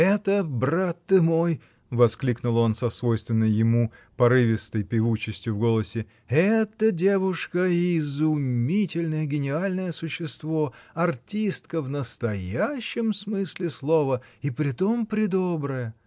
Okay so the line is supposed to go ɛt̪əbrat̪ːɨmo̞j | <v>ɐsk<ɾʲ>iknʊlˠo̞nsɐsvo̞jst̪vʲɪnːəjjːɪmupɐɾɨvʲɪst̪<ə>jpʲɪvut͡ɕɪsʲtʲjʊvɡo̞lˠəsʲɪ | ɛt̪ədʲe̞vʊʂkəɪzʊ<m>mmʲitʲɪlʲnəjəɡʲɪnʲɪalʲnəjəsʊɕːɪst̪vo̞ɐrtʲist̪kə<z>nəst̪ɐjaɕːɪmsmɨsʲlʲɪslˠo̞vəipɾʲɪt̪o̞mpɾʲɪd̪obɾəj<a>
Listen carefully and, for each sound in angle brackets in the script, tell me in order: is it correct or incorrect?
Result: correct, incorrect, correct, correct, incorrect, incorrect

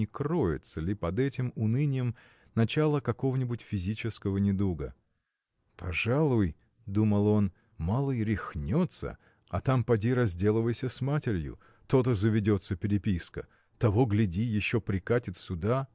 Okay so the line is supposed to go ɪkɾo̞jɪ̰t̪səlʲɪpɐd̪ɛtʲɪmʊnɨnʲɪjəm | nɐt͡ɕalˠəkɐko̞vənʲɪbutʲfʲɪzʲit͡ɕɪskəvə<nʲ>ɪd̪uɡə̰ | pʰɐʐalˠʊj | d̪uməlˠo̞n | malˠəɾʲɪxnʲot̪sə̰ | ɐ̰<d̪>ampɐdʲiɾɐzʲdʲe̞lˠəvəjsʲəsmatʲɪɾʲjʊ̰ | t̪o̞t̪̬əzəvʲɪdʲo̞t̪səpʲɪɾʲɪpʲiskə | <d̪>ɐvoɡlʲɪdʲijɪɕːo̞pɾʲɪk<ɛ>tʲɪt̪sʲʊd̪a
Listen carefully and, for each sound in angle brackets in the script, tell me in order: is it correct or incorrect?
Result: correct, incorrect, incorrect, incorrect

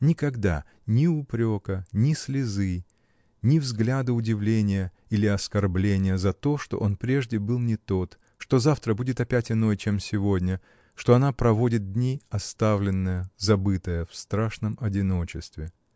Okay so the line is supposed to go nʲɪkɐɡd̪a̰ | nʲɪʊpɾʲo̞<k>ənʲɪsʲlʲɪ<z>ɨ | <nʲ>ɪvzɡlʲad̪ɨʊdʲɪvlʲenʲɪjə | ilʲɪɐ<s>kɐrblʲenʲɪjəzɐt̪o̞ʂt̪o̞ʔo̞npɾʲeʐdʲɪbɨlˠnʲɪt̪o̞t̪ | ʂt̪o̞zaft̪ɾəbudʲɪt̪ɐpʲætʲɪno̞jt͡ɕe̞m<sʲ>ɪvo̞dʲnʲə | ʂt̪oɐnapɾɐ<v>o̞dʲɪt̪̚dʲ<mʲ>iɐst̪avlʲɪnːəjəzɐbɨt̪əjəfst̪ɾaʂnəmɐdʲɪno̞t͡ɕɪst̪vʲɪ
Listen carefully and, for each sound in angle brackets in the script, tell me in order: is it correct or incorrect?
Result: correct, correct, correct, correct, correct, correct, incorrect

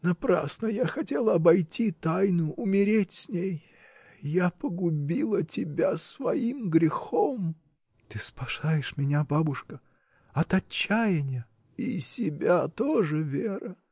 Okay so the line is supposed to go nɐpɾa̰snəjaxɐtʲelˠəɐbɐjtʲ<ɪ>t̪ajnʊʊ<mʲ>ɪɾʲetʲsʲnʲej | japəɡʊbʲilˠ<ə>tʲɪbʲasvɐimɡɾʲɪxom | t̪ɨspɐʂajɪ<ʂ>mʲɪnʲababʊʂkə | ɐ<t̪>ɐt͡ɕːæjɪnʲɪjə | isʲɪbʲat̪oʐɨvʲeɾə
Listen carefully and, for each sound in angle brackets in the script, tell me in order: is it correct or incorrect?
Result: incorrect, correct, correct, correct, correct

